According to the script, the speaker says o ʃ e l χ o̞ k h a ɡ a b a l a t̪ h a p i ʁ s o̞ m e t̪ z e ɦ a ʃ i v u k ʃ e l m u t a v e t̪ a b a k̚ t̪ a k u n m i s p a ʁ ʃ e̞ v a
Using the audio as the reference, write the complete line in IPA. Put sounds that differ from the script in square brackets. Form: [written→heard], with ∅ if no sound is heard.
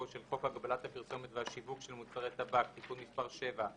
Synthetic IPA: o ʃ e l χ o̞ k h a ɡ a b a l a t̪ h a p i ʁ s o̞ m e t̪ [z→v] e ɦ a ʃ i v u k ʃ e l m u [t→t͡s] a [v→ʁ] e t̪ a b a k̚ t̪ [a→i] k u n m i s p a ʁ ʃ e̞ v a

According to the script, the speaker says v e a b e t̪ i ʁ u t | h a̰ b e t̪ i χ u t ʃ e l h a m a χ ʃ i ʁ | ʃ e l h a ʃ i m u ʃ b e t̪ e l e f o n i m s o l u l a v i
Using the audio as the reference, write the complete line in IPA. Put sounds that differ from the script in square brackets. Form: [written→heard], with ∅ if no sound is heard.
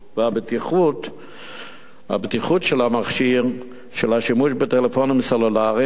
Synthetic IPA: v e a b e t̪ i [ʁ→χ] u t | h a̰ b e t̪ i χ u t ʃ e l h a m a χ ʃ i ʁ | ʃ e l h a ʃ i m u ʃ b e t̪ e l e f o n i m s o l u l a [v→ʁ] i

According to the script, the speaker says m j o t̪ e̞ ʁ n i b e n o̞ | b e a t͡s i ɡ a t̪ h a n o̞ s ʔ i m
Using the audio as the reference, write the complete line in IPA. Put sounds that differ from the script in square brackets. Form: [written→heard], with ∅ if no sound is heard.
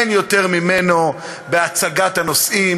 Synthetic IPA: [m→n] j o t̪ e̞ ʁ [n→m] i [b→m] e n o̞ | b e a t͡s [i→a] ɡ a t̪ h a n o̞ s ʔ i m

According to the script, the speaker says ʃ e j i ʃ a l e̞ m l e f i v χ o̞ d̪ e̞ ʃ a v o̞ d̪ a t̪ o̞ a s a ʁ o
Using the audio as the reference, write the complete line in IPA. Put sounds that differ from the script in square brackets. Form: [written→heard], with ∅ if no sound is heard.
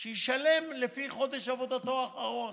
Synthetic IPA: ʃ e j i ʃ a l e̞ m l e f i [v→∅] χ o̞ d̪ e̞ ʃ a v o̞ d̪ a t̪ o̞ a [s→χ] a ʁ o

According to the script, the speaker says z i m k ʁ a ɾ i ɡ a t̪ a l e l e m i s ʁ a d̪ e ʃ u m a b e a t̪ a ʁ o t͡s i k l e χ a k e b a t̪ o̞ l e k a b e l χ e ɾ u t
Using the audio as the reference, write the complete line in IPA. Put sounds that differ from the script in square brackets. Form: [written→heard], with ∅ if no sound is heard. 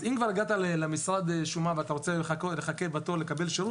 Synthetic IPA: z i m k [ʁ→v] a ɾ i ɡ a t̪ a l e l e m i s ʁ a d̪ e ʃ u m a [b→v] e a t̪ a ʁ o t͡s [i→e] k l e χ a k e b a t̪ o̞ l e k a b e l [χ→ʃ] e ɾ u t

